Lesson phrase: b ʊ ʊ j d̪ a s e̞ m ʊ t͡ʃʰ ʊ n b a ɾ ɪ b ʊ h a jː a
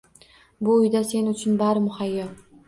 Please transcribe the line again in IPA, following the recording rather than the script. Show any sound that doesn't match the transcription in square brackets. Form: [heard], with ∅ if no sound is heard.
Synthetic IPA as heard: b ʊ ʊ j d̪ a s e̞ [n] ʊ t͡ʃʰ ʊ n b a ɾ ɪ [m] ʊ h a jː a